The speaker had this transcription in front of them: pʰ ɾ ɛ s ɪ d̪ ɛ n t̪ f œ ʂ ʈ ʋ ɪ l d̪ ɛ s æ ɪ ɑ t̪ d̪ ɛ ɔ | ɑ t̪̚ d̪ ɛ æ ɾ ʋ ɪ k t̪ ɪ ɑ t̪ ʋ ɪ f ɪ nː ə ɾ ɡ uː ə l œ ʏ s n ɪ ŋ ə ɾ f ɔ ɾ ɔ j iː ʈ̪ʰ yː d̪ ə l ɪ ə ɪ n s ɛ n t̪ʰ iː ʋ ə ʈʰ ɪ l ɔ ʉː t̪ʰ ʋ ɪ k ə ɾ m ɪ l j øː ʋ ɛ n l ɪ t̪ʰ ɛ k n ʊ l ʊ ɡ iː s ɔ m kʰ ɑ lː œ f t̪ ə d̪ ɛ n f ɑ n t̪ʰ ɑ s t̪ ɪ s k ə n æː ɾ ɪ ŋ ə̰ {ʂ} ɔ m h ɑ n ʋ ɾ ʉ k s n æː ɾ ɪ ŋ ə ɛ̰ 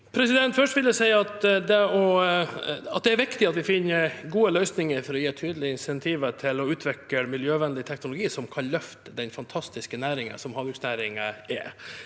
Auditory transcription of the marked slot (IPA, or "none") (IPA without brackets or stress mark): s